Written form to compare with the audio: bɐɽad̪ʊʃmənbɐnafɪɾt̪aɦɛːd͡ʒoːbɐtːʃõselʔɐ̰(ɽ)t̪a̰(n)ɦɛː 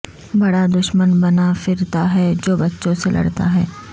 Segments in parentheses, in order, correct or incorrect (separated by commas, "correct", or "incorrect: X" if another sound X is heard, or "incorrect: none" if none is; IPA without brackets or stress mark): correct, incorrect: none